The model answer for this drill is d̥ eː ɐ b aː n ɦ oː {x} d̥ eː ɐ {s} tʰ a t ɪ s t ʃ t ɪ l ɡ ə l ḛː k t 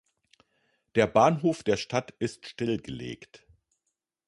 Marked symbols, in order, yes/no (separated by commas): no, no